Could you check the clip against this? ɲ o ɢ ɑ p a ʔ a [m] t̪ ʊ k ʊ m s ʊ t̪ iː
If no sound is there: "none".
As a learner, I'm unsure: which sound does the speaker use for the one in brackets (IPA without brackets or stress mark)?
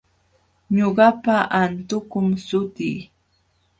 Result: n